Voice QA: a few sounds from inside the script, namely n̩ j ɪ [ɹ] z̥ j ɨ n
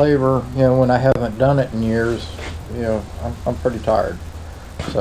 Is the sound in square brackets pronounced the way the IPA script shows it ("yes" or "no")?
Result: yes